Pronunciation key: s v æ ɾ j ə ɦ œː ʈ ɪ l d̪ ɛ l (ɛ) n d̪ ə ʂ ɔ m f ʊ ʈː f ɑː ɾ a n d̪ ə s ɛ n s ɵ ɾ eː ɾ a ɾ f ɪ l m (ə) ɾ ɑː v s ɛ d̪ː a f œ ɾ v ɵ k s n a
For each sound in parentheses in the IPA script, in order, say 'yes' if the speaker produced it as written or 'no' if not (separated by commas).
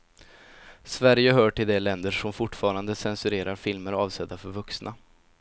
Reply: yes, yes